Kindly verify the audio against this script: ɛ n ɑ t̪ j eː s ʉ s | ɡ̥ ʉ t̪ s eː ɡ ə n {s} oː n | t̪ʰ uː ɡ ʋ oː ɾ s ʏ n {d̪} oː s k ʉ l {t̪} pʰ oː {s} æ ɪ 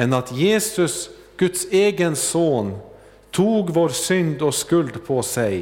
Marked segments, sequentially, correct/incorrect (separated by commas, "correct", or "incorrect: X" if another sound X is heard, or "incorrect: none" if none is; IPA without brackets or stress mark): correct, correct, incorrect: d̪, correct